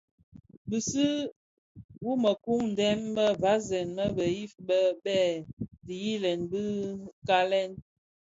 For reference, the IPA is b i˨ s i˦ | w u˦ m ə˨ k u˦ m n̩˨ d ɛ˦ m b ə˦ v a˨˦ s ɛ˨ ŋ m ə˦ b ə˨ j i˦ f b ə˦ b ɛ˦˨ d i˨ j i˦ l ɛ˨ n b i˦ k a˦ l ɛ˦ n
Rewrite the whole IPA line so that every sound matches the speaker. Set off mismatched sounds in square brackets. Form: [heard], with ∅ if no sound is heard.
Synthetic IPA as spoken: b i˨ s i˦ | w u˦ m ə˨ k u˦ [ŋ] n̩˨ d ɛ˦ m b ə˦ v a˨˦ [z] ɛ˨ [n] m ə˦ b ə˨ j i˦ f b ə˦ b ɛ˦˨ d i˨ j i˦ l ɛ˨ n b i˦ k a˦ l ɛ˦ n